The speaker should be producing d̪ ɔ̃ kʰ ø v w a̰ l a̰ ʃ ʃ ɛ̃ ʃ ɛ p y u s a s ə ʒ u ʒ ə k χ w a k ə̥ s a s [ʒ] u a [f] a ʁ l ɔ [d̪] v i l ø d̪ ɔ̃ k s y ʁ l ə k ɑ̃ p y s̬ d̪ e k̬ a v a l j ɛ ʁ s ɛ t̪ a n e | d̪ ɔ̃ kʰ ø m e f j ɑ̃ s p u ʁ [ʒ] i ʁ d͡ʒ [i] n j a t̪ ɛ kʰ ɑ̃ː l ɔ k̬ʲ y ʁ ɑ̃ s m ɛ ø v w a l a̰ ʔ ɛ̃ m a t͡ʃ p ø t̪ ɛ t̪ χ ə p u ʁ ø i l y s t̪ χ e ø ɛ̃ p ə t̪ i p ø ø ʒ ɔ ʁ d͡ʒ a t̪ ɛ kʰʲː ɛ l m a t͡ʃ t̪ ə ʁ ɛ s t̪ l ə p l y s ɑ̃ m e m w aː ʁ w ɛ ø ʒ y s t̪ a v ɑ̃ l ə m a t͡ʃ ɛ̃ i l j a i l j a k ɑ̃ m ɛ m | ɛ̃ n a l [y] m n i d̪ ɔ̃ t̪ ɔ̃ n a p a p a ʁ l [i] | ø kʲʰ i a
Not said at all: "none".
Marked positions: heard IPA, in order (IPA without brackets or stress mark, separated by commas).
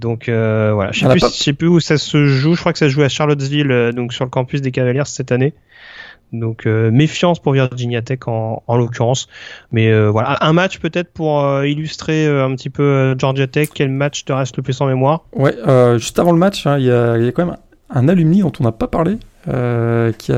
ʒ, ʃ, t̪, v, i, y, e